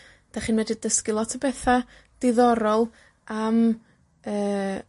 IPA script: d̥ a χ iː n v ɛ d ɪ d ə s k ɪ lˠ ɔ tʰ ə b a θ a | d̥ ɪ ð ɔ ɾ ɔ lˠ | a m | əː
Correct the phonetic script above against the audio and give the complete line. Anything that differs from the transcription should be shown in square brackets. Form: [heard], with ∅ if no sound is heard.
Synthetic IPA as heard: d̥ a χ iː n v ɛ d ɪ d ə s k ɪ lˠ ɔ tʰ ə b [ɛ] θ a | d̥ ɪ ð ɔ ɾ ɔ lˠ | a m | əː